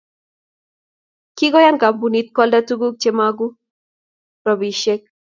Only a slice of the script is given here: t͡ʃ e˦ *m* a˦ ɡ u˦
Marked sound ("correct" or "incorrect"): correct